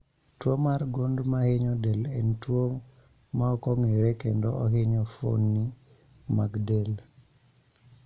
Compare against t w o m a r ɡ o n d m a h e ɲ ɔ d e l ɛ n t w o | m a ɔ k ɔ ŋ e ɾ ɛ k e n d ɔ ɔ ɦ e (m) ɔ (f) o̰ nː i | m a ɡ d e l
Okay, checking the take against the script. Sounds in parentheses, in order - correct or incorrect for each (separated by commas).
incorrect, correct